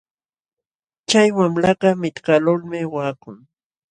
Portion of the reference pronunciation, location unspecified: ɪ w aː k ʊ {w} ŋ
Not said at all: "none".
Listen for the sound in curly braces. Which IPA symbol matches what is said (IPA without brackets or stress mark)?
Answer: none